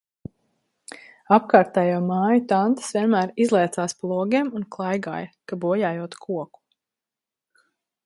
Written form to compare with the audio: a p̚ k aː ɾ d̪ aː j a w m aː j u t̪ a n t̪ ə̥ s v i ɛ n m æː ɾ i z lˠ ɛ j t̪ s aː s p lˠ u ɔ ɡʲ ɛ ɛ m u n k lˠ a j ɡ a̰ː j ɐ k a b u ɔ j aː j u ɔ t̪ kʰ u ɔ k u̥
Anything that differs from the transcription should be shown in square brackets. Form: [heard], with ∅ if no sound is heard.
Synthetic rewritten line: a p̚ k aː ɾ [t̪] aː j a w m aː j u t̪ a n t̪ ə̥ s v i ɛ n m æː ɾ i z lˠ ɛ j t̪ s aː s p lˠ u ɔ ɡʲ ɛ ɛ m u n k lˠ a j ɡ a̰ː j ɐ k a b u ɔ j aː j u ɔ t̪ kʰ u ɔ k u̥